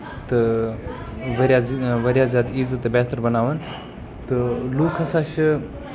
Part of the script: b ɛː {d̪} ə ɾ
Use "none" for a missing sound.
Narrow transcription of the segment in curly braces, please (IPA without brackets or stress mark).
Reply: t̪